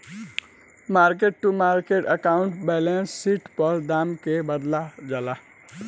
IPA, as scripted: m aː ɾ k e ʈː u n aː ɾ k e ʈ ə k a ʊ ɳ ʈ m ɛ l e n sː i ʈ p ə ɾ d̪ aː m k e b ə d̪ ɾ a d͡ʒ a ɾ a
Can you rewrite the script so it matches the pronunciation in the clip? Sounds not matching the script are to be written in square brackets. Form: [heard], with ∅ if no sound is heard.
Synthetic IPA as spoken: m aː ɾ k e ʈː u [m] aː ɾ k e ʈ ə k a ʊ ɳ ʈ [b] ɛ l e n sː i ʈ p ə ɾ d̪ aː m k e b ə d̪ [l] a d͡ʒ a [l] a